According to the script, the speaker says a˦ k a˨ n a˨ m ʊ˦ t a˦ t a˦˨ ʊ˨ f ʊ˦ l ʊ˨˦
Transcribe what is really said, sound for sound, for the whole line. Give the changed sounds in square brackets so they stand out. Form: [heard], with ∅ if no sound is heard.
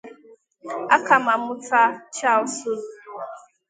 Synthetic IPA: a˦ k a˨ [m] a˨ m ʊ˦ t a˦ [t͡ʃ] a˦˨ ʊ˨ [s] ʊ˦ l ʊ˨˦